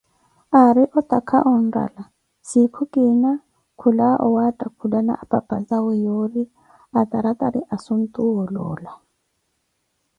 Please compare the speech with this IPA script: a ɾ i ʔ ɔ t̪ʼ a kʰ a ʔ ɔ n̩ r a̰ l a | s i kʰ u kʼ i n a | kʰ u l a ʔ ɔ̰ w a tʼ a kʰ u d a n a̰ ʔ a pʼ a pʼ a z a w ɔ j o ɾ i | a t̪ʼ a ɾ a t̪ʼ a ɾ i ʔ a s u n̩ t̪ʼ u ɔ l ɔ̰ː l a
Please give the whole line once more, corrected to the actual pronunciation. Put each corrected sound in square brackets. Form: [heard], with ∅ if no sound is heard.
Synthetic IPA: a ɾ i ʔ ɔ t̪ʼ a kʰ a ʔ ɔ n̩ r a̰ l a | s i kʰ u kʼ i n a | kʰ u l a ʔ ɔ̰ w a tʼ a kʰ u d a n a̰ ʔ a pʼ a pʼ a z a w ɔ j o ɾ i | a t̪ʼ a ɾ a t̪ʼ a ɾ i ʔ a s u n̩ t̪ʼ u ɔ l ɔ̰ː l a